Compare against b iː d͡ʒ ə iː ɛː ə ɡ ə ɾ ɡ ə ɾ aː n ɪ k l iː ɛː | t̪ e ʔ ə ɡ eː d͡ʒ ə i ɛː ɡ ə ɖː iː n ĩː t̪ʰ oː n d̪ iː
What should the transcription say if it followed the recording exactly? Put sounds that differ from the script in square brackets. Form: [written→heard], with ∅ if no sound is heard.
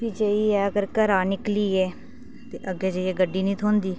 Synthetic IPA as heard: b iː d͡ʒ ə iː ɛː ə ɡ ə ɾ [ɡ→k] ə ɾ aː n ɪ k l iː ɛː | t̪ e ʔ ə ɡ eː d͡ʒ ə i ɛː ɡ ə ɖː iː n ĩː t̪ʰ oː n d̪ iː